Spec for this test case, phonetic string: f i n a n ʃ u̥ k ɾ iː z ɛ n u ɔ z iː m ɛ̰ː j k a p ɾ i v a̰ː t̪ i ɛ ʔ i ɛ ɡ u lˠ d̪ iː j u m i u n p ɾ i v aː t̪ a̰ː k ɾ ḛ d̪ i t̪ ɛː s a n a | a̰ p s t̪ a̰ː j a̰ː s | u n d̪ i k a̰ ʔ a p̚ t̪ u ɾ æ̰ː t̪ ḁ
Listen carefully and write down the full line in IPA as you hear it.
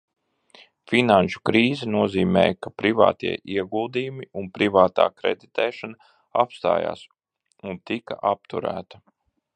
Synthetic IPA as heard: f i n a n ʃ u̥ k ɾ iː z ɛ n u ɔ z iː m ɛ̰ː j k a p ɾ i v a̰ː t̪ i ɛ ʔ i ɛ ɡ u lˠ d̪ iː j u m i u n p ɾ i v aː t̪ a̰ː k ɾ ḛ d̪ i t̪ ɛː ʃ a n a | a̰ p s t̪ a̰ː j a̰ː s | u n t̪ i k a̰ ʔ a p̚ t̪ u ɾ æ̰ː t̪ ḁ